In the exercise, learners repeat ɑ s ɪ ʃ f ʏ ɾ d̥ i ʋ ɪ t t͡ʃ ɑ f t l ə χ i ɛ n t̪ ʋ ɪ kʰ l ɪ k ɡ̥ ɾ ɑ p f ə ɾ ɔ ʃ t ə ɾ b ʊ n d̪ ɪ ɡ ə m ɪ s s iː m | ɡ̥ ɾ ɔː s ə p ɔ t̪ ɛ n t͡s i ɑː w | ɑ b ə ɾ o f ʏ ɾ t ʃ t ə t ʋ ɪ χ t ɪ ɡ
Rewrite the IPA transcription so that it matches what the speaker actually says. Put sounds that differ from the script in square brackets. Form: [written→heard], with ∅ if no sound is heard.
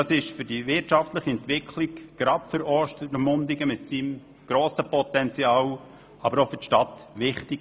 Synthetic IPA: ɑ s ɪ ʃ f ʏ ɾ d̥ i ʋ ɪ t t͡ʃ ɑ f t l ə χ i ɛ n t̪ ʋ ɪ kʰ l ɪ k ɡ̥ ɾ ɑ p f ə ɾ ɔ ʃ t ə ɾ [b→m] ʊ n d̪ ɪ ɡ ə m ɪ [s→t] s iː m | ɡ̥ ɾ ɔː s ə p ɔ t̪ ɛ n t͡s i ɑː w | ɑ b ə ɾ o f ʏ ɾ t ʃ t [ə→ɑ] t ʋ ɪ χ t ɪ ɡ